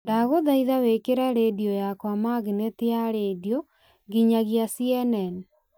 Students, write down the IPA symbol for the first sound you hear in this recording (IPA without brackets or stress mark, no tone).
d